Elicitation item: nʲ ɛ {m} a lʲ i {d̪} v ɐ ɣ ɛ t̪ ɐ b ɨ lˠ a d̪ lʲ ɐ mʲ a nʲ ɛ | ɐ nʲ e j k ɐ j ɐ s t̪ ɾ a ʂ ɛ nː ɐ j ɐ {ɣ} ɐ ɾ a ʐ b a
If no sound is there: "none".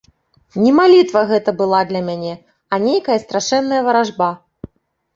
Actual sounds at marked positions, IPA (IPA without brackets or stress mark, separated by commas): m, t̪, v